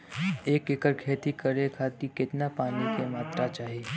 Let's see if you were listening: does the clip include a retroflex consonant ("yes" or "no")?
no